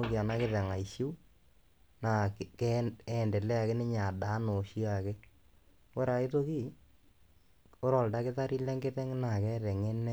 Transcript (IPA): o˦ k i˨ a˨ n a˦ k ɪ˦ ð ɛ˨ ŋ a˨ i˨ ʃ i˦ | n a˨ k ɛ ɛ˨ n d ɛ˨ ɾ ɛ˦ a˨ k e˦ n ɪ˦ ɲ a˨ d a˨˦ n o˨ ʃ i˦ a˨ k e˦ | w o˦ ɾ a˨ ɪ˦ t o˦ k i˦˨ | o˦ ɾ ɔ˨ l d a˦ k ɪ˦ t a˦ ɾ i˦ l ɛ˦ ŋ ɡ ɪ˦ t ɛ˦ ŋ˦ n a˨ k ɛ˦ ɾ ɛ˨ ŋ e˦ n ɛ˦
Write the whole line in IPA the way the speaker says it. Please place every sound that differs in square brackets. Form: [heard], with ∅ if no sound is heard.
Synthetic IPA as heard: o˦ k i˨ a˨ n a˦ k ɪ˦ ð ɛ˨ ŋ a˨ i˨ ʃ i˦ | n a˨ k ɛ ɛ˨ n d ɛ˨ [l] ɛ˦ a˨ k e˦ n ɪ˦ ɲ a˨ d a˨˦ n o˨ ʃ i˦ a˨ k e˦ | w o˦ ɾ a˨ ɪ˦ t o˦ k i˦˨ | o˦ ɾ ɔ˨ l d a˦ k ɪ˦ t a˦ ɾ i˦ l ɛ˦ ŋ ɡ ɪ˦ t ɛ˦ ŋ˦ n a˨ k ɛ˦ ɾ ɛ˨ ŋ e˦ n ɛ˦